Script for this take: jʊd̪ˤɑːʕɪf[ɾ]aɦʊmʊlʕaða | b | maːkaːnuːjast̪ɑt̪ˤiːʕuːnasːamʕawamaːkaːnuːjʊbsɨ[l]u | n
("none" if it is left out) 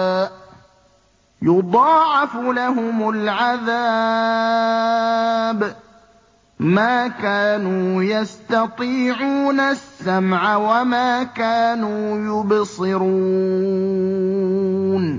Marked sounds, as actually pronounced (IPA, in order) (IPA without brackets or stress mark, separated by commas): l, ɾ